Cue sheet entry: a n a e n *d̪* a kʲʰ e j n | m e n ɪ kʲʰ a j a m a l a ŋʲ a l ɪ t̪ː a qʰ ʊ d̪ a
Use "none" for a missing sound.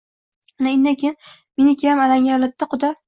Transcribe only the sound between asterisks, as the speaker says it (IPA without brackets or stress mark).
d̪